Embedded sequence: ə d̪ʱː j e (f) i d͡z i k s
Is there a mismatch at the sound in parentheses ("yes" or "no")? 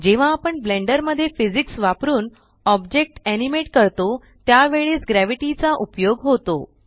no